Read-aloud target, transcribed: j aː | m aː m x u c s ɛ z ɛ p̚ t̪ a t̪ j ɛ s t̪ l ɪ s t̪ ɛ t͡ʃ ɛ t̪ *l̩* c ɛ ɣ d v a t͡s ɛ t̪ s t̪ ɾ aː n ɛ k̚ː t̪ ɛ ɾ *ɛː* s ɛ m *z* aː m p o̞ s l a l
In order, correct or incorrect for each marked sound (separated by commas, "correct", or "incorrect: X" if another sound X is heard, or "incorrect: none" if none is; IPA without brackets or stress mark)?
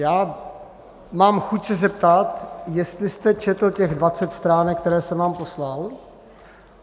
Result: correct, correct, incorrect: v